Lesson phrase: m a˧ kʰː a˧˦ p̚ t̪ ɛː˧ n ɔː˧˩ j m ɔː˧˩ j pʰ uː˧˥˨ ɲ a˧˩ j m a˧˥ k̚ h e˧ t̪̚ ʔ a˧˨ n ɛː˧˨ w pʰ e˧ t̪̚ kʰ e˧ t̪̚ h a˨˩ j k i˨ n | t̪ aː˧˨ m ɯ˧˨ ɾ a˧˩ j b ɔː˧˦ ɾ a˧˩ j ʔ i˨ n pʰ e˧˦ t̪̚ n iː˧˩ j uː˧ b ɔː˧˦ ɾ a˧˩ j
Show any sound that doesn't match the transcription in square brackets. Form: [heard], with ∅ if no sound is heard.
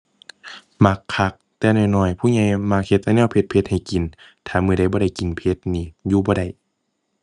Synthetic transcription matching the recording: m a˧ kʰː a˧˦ [k̚] t̪ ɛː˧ n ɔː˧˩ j [n] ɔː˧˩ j pʰ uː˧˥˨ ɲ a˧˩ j m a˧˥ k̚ h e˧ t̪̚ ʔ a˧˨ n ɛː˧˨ w pʰ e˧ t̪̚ [pʰ] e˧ t̪̚ h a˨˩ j k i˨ n | [t̪ʰ] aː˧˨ m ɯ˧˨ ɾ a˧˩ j b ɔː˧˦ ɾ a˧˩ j [k] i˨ n pʰ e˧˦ t̪̚ n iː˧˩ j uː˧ b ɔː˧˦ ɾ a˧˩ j

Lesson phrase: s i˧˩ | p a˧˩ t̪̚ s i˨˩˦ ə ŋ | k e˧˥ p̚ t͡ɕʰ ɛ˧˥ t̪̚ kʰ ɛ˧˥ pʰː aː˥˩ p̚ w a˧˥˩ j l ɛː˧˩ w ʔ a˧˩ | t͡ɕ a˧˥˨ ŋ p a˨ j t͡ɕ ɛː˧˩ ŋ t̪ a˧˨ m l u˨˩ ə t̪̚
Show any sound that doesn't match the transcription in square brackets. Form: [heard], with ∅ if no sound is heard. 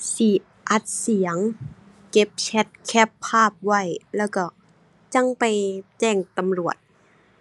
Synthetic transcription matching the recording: s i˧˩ | [ʔ] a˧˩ t̪̚ s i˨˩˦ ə ŋ | k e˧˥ p̚ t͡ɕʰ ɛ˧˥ t̪̚ kʰ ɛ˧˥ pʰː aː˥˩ p̚ w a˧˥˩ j l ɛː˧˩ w [k] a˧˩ | t͡ɕ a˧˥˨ ŋ p a˨ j t͡ɕ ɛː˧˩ ŋ t̪ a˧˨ m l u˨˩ ə t̪̚

